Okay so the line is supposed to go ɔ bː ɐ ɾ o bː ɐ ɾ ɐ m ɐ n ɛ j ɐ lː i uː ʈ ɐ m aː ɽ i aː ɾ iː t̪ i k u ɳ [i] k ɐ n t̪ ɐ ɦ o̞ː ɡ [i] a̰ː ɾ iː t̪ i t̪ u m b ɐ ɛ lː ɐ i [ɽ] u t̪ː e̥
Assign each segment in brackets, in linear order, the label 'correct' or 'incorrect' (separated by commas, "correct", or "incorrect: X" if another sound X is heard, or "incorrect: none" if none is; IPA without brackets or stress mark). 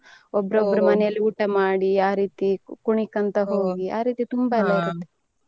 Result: correct, correct, incorrect: ɾ